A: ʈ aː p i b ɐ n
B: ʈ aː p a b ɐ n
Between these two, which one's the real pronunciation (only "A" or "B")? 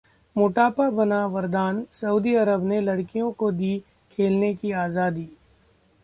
B